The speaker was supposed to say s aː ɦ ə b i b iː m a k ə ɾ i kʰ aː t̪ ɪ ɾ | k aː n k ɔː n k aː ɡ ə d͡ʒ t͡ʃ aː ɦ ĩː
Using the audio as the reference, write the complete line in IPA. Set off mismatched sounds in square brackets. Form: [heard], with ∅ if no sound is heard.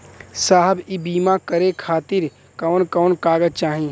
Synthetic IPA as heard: s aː ɦ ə b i b iː m a k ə ɾ [e] kʰ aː t̪ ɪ ɾ | k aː n k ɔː n k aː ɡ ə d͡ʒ t͡ʃ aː ɦ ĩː